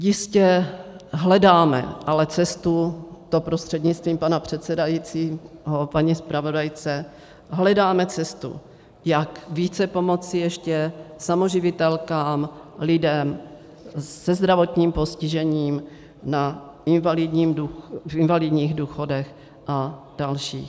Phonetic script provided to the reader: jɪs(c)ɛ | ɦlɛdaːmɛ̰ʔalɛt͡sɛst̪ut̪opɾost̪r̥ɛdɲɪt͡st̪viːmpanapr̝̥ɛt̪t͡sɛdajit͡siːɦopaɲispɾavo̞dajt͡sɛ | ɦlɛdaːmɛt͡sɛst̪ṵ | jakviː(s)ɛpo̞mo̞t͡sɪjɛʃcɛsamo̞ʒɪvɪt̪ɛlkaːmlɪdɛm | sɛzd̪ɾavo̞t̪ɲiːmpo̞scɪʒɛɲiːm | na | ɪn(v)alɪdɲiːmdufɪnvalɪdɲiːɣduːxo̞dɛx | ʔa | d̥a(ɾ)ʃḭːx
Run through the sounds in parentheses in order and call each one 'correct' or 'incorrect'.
correct, incorrect, correct, incorrect

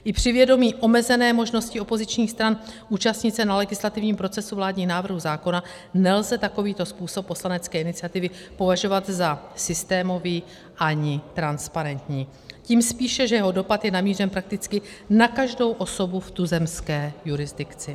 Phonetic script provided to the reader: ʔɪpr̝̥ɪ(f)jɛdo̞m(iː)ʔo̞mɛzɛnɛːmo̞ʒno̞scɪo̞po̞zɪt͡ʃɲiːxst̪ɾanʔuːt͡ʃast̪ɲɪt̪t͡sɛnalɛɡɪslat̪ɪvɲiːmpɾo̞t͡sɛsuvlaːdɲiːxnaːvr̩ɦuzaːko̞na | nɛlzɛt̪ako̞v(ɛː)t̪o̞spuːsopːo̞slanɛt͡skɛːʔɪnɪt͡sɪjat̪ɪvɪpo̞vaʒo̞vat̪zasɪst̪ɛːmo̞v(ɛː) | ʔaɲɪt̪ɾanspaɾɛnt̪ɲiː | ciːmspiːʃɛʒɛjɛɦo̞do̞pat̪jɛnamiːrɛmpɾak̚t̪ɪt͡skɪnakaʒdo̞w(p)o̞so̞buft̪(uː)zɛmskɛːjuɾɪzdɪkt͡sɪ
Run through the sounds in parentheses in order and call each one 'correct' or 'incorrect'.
incorrect, correct, incorrect, incorrect, incorrect, incorrect

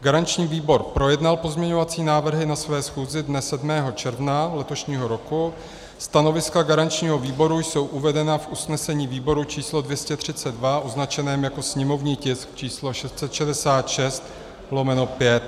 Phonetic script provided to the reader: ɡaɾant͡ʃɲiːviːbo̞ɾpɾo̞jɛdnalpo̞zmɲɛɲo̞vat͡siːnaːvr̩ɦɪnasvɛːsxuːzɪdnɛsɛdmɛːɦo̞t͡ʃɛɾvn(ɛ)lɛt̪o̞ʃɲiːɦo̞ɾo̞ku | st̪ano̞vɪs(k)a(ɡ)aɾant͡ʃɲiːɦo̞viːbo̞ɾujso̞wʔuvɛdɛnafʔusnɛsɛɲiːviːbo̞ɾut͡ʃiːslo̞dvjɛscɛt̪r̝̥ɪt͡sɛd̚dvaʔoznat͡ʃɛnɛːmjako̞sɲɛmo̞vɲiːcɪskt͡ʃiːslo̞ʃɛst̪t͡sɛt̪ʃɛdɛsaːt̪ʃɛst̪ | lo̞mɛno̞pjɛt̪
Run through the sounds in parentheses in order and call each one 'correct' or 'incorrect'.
incorrect, correct, correct

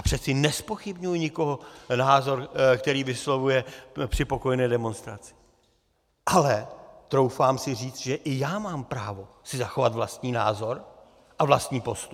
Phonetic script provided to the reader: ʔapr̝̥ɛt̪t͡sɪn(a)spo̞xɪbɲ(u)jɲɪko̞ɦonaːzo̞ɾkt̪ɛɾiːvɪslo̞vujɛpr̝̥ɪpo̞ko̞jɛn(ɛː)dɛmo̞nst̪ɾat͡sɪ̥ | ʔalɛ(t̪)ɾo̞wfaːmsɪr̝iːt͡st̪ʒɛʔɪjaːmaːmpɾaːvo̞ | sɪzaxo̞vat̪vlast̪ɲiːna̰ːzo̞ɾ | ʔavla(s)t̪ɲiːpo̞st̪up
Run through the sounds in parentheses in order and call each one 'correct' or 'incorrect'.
incorrect, correct, correct, correct, correct

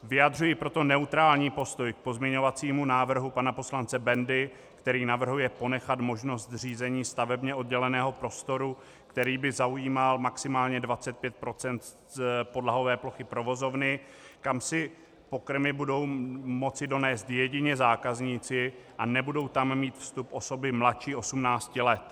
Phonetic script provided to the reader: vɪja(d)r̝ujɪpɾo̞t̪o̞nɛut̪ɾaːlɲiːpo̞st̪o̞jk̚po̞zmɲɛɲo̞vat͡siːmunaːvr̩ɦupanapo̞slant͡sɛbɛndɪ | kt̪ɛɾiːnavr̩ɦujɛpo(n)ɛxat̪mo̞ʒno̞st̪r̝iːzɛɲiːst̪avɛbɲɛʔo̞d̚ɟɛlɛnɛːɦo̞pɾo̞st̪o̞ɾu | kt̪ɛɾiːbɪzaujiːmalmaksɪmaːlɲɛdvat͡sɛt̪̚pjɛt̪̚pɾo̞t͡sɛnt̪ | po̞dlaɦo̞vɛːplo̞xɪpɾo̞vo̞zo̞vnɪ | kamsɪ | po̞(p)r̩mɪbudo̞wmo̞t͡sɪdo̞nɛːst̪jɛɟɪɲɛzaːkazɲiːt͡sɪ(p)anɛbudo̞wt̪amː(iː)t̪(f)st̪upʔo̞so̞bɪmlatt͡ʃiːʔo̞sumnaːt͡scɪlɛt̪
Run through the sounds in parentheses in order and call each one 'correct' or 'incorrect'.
correct, correct, incorrect, incorrect, correct, correct

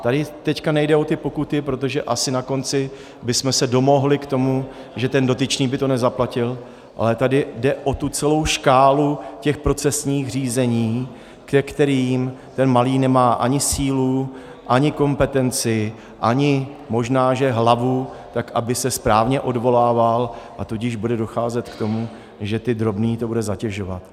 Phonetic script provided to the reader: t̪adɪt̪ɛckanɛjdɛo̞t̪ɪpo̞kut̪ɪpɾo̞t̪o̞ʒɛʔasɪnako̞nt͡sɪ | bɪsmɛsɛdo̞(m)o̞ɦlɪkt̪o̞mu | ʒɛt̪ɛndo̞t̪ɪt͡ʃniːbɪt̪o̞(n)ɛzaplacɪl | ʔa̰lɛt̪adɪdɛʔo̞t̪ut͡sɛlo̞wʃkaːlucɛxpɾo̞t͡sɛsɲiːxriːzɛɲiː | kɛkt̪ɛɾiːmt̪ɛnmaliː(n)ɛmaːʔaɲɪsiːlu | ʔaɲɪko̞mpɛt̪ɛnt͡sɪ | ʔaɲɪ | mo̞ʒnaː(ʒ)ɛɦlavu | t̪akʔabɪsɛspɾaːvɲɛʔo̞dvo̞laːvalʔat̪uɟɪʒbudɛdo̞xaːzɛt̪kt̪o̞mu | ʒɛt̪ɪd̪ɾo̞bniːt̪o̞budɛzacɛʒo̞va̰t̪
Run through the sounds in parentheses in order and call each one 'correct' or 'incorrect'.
correct, correct, correct, correct

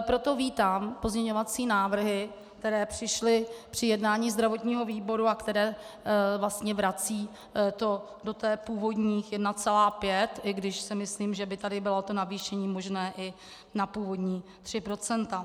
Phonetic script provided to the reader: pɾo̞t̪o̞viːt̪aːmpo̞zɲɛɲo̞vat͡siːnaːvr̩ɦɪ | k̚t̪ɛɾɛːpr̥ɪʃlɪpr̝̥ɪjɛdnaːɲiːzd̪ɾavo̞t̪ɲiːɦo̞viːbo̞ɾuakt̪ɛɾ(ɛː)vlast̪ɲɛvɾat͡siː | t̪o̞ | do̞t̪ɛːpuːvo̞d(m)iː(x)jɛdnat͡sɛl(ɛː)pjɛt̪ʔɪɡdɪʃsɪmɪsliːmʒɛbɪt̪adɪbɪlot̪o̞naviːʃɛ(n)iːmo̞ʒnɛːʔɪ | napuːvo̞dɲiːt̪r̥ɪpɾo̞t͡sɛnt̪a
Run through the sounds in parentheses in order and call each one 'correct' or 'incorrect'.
correct, incorrect, correct, incorrect, incorrect

